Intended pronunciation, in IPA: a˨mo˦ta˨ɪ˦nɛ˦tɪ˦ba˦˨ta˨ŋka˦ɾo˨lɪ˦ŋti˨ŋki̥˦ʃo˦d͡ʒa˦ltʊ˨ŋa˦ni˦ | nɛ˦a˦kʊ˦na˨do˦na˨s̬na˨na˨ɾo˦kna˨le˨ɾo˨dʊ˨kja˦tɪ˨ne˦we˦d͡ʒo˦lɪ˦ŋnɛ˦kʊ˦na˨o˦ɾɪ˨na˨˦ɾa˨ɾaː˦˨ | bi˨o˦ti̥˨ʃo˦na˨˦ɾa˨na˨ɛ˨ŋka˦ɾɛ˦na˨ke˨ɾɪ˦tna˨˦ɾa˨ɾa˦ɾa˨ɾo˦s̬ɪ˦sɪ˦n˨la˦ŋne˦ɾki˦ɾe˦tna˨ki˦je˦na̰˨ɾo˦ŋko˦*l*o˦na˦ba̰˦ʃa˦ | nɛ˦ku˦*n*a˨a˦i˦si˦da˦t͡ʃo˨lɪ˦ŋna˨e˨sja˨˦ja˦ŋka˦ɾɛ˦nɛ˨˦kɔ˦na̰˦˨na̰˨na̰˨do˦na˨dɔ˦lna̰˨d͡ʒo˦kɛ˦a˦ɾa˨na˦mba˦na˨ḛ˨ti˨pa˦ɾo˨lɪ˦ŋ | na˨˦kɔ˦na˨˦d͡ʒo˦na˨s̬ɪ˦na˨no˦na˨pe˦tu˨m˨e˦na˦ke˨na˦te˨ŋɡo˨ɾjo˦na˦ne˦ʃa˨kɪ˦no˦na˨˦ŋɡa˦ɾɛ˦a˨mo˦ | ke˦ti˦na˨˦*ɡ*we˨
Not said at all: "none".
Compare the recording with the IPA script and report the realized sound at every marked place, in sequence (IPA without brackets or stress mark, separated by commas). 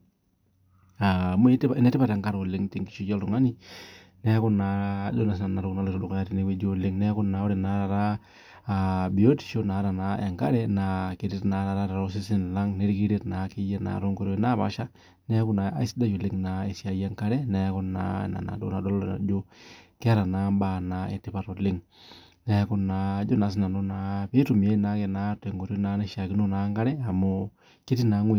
ɾ, n, ŋ